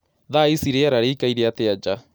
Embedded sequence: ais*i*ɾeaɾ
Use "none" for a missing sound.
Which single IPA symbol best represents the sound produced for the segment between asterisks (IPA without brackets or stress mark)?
i